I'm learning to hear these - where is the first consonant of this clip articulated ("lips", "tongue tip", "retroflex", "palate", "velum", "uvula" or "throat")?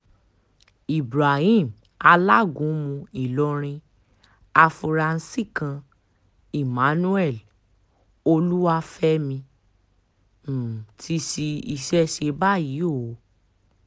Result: lips